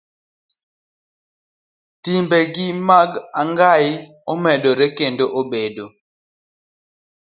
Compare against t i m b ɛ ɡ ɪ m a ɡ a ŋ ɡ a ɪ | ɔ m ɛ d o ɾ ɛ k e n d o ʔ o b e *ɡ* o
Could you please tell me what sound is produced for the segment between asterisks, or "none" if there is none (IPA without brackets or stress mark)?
d